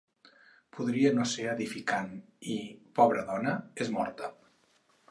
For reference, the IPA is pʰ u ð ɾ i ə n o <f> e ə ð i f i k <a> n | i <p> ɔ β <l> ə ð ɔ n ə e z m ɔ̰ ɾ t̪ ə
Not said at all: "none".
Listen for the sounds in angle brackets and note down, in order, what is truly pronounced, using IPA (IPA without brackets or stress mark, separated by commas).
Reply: s, a, p, ɾ